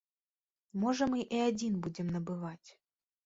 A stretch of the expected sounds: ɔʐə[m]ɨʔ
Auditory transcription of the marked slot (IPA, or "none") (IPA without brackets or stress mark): m